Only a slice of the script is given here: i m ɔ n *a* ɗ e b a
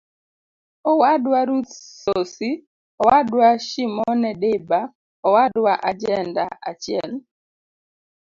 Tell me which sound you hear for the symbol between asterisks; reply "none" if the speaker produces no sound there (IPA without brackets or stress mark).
ɛ